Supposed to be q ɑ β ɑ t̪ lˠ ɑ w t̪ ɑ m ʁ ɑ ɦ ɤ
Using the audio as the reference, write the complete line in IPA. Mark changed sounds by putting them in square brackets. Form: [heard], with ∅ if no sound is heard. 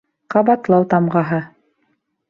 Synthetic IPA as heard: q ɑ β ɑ t̪ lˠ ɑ w t̪ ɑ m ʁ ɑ ɦ ɤ